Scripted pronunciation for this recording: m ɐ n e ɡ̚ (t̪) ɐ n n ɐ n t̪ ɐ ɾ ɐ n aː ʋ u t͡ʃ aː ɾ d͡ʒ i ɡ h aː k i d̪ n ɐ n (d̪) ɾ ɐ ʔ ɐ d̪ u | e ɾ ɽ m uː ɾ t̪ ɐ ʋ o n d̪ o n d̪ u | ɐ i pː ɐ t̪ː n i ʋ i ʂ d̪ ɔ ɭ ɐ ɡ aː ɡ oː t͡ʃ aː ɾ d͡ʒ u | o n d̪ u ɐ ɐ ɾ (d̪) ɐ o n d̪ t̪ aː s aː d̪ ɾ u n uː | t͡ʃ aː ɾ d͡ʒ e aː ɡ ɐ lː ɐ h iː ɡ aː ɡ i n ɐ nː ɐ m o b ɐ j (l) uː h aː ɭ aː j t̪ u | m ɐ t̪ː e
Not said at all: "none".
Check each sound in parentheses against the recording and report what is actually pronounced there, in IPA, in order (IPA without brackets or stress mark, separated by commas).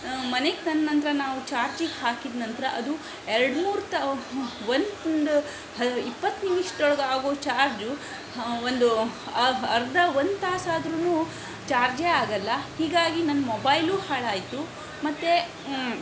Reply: t̪, t̪, d̪, l